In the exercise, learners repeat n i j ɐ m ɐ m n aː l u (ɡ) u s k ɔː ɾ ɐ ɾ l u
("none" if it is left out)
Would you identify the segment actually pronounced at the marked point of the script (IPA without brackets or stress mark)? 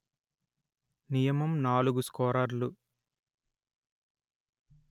ɡ